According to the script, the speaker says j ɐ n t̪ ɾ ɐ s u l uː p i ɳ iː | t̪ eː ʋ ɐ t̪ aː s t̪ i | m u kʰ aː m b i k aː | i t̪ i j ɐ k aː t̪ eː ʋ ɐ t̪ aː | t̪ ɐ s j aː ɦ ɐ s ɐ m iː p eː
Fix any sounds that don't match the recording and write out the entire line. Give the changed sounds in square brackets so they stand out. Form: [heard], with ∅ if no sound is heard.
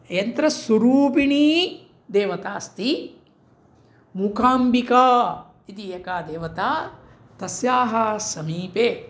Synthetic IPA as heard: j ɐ n t̪ ɾ ɐ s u [ɾ] uː p i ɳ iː | [d̪] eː ʋ ɐ t̪ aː s t̪ i | m u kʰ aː m b i k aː | i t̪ i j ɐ k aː [d̪] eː ʋ ɐ t̪ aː | t̪ ɐ s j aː ɦ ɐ s ɐ m iː p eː